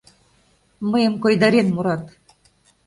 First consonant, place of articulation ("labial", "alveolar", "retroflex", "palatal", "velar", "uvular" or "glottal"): labial